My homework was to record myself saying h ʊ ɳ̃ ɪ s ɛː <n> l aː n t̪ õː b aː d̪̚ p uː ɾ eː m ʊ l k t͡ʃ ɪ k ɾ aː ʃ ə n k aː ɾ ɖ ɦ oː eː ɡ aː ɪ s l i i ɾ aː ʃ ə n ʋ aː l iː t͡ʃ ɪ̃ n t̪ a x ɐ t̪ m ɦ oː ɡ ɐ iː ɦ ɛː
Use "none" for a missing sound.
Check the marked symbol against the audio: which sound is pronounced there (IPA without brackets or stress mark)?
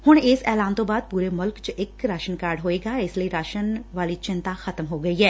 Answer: none